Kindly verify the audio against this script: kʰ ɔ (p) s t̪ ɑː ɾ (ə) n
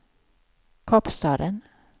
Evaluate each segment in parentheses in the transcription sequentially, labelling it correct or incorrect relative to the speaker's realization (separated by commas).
correct, correct